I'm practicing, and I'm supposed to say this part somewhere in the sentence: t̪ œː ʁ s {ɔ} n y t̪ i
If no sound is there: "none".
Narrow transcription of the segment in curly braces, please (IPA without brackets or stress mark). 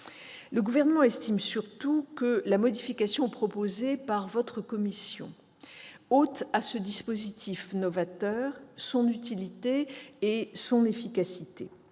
ɔ̃